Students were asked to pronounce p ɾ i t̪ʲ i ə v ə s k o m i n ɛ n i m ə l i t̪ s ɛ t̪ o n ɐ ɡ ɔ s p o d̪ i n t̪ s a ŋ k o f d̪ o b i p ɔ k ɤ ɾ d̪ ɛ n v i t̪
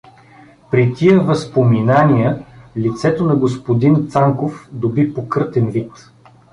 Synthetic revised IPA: p ɾ i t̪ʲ i ə v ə s p o m i n a n i ə l i t̪ s ɛ t̪ o n ɐ ɡ o s p o d̪ i n t̪ s a ŋ k o f d̪ o b i p o k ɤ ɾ t̪ ɛ n v i t̪